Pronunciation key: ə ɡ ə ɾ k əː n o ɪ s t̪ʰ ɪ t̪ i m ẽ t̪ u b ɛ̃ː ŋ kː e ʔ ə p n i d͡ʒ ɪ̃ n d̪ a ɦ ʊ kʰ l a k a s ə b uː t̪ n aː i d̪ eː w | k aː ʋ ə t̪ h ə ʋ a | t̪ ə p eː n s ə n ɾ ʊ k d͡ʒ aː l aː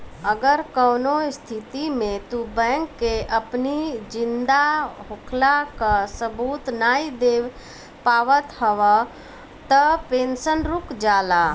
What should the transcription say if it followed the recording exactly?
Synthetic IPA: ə ɡ ə ɾ k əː n o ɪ s t̪ʰ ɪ t̪ i m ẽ t̪ u b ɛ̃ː ŋ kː e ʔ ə p n i d͡ʒ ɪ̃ n d̪ a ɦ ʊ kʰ l a k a s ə b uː t̪ n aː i d̪ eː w | p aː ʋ ə t̪ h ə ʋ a | t̪ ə p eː n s ə n ɾ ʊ k d͡ʒ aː l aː